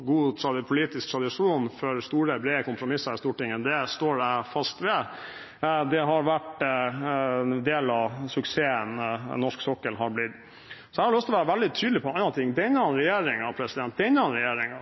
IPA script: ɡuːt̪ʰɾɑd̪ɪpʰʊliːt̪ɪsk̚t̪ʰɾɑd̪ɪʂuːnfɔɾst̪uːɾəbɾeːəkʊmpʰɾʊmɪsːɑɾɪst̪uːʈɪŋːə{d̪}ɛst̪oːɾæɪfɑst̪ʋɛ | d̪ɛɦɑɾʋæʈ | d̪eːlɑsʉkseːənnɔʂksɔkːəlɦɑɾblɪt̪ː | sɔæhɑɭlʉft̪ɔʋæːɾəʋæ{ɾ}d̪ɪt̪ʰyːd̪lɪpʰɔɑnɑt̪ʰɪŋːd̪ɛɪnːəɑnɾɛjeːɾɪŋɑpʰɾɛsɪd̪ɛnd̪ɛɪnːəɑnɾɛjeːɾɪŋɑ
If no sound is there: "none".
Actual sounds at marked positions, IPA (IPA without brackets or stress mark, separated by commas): d̪, l